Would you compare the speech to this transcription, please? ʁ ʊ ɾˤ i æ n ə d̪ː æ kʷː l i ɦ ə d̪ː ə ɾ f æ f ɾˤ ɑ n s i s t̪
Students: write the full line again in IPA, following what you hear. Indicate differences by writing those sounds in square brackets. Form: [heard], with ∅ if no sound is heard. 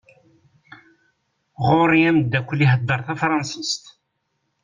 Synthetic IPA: ʁ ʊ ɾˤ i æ [m] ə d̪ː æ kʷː l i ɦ ə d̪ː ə ɾ [θ] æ f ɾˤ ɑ n s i s t̪

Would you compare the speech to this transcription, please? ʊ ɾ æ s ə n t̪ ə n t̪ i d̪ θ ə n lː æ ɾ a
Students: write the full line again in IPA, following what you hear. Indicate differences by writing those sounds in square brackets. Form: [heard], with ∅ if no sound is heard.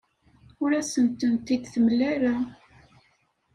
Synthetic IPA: ʊ ɾ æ s ə n t̪ ə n t̪ i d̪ θ ə [m] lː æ ɾ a

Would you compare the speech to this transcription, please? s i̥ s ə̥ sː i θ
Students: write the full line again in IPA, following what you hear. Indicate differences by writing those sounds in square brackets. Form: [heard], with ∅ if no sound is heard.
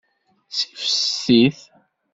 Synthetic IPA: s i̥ [f] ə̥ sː i θ

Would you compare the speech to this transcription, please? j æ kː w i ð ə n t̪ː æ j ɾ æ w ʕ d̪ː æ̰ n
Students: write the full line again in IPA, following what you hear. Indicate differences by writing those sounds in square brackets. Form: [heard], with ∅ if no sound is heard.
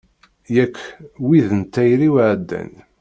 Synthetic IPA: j æ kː w i ð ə n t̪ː æ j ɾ [i] w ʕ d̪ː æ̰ n

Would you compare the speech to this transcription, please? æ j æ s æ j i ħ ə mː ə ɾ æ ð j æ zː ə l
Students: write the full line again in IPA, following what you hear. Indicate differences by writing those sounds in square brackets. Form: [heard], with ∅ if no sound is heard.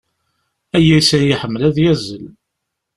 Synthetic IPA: æ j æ s æ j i ħ ə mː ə [l] æ ð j æ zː ə l

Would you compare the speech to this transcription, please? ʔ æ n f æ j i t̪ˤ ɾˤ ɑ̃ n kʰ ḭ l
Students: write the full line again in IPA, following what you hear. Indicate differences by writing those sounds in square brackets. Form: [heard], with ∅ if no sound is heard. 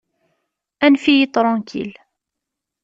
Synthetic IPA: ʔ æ n f [i] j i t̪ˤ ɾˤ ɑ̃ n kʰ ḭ l

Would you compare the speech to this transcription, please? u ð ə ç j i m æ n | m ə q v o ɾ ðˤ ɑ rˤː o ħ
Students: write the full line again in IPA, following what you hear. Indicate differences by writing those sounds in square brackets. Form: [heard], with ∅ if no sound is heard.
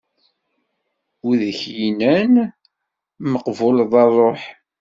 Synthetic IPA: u ð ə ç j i [n] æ n | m ə q v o [l] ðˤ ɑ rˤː o ħ

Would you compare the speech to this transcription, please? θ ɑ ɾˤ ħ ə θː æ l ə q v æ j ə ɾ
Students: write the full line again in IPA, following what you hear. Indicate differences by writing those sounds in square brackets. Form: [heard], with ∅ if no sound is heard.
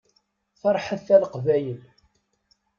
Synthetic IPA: θ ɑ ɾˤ ħ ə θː æ l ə q v æ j ə [l]

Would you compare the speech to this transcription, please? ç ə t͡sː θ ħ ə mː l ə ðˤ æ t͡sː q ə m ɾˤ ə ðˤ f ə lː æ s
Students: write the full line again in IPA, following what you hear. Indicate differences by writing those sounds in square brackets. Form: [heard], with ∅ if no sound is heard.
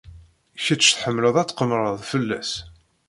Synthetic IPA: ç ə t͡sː θ ħ ə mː l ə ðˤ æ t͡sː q ə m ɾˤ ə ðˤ f ə lː æ s

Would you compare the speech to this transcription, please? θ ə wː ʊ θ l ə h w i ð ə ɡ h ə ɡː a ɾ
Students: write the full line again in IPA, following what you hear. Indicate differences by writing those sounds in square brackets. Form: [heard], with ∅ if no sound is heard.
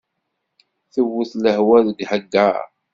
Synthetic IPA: θ ə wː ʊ θ l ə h w [æ] ð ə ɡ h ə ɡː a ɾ

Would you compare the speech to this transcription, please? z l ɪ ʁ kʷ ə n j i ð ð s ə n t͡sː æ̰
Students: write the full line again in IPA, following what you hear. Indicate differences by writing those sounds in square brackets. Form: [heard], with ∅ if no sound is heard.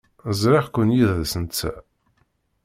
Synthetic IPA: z [ɾ] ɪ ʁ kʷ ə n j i ð ð s ə n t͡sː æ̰

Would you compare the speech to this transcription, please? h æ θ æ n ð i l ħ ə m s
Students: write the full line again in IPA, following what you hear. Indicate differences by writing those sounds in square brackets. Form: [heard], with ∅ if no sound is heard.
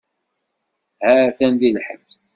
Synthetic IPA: h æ θ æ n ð i l ħ ə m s

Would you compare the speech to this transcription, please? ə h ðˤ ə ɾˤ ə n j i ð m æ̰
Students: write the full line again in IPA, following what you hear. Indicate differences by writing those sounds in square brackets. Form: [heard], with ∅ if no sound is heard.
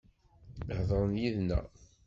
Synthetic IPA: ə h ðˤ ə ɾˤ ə n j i ð [n] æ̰

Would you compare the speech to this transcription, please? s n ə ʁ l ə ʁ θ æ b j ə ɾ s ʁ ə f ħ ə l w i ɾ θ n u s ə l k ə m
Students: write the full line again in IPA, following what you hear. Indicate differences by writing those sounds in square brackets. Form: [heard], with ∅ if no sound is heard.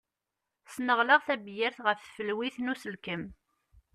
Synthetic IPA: s n ə ʁ l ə ʁ θ æ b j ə ɾ [θ] ʁ ə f [f] ə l w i [∅] θ n u s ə l k ə m

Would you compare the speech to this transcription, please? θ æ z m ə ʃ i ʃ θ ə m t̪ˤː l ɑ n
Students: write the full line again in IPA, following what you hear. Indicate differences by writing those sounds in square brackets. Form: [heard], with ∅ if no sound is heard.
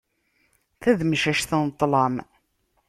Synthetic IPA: θ æ [ð] m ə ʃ [æ] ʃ θ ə [n] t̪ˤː l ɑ [m]

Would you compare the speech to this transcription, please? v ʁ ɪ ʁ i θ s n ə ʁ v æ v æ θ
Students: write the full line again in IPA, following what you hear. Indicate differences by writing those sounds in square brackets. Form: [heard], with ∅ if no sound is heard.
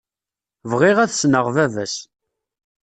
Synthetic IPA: v ʁ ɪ ʁ [æ] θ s n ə ʁ v æ v æ [s]

